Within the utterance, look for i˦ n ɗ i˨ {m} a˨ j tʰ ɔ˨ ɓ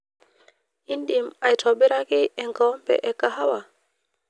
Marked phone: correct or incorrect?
correct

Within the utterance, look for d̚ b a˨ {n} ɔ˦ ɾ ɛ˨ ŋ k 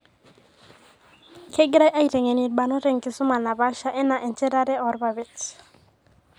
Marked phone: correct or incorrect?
correct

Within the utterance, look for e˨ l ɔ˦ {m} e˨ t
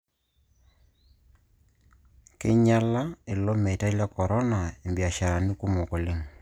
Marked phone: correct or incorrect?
correct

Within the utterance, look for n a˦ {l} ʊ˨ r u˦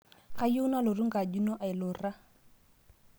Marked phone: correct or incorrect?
correct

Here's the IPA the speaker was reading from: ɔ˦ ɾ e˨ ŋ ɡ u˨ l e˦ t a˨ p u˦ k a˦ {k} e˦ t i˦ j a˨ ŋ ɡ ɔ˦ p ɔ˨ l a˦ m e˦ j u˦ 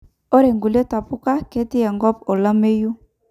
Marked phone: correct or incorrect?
correct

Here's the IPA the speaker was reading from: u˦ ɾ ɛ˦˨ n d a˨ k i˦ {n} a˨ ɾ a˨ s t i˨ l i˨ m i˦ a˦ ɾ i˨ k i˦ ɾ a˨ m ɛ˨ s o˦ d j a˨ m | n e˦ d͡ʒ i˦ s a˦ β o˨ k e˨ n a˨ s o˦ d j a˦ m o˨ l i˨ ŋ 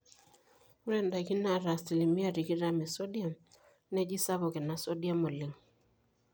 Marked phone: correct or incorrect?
correct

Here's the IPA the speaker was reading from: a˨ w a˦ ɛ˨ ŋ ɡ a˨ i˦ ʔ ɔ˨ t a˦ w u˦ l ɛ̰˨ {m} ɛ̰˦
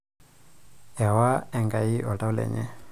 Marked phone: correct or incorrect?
incorrect: ɲ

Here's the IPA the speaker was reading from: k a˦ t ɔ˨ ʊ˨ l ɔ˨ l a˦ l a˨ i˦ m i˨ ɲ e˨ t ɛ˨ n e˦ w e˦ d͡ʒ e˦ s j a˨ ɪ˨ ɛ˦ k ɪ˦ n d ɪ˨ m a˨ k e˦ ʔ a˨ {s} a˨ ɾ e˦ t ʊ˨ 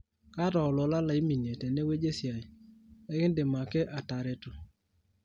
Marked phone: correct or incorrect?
incorrect: t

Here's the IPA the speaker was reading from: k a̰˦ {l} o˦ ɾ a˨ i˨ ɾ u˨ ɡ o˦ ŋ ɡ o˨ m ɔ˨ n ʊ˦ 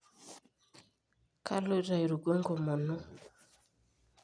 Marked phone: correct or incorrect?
correct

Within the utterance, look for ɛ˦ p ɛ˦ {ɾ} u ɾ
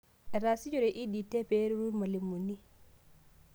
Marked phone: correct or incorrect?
correct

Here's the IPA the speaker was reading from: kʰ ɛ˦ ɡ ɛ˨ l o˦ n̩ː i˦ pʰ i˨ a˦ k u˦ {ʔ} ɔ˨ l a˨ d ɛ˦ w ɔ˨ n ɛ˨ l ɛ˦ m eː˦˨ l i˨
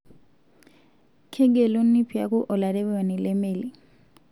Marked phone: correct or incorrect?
correct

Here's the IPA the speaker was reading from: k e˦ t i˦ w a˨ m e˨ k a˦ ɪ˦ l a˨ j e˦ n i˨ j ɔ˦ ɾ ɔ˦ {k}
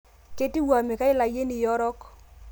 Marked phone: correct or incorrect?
correct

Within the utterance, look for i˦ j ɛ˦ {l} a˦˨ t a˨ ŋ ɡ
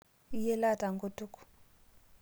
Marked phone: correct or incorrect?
correct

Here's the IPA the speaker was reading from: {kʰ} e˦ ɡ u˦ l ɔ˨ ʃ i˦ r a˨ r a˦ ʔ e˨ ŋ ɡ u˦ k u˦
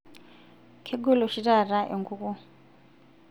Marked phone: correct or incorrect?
correct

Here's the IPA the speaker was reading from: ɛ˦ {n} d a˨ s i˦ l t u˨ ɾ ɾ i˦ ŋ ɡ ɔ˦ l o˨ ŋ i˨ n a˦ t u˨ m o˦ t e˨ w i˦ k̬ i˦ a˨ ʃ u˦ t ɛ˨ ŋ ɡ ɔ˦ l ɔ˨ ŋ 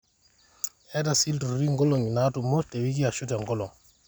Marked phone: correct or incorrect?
incorrect: none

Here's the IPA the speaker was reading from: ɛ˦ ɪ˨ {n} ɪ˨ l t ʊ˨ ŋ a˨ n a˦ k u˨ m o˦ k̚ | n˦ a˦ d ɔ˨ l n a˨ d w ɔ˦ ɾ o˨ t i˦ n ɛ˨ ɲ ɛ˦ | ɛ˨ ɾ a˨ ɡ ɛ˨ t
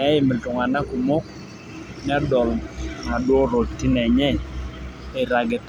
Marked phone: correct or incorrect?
incorrect: m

